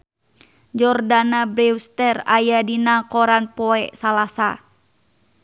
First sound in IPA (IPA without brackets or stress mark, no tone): d͡ʒ